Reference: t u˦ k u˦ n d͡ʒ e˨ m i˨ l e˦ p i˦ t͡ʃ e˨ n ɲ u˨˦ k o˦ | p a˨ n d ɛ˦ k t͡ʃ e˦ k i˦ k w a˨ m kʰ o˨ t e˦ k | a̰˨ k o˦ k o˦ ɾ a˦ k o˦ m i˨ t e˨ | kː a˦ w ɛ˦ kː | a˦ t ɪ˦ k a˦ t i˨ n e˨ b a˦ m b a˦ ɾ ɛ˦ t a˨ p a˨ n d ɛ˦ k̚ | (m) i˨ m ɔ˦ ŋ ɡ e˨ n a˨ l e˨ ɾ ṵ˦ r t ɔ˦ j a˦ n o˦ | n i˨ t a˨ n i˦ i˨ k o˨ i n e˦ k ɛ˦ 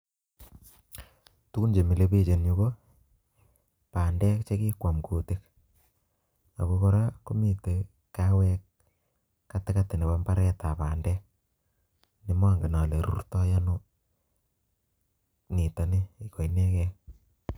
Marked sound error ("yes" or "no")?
yes